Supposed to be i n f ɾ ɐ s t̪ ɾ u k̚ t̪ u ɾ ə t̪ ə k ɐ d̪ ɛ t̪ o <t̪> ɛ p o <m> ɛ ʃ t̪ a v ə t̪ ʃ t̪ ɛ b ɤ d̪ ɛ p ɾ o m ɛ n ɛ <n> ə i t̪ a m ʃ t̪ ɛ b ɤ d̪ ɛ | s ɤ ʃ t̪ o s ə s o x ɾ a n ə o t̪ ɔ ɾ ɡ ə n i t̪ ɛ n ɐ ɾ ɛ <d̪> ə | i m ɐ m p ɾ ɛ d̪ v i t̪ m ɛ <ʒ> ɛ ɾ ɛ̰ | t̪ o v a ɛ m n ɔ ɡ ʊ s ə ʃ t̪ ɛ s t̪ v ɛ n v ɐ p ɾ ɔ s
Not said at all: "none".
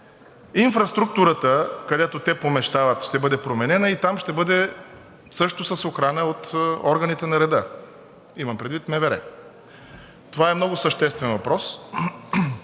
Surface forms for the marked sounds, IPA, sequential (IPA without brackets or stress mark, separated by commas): t̪, m, n, d̪, v